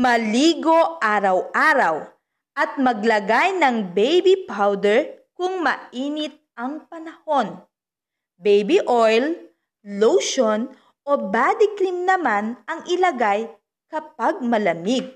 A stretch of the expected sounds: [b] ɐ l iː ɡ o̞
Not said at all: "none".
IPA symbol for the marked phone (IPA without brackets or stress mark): m